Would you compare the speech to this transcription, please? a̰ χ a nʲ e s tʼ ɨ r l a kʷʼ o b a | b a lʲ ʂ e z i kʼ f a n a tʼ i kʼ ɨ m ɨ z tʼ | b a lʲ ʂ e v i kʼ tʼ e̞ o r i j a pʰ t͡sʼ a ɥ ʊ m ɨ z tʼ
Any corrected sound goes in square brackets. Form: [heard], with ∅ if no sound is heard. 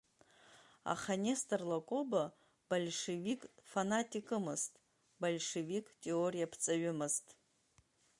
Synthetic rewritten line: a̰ χ a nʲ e s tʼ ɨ r l a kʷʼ o b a | b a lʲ ʂ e [v] i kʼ f a n a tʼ i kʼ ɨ m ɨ z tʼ | b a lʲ ʂ e v i kʼ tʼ e̞ o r i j a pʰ t͡sʼ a ɥ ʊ m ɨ z tʼ